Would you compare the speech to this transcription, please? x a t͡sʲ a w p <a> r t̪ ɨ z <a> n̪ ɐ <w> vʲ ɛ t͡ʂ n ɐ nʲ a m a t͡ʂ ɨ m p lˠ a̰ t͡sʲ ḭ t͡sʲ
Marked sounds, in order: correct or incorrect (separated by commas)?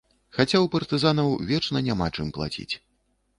incorrect, correct, correct